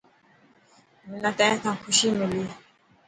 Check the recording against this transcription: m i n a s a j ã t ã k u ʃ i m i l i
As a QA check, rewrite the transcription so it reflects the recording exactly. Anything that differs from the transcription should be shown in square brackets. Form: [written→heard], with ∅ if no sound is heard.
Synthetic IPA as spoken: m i n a [s→t] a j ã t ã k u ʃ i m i l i